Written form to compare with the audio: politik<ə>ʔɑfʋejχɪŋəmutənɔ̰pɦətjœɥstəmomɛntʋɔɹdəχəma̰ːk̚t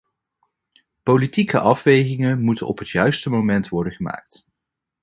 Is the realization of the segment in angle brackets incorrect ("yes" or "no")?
no